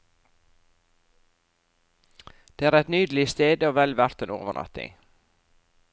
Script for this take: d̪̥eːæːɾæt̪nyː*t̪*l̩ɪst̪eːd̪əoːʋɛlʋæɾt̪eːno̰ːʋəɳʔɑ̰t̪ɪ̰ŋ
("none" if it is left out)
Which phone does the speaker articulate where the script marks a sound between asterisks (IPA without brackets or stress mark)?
d̪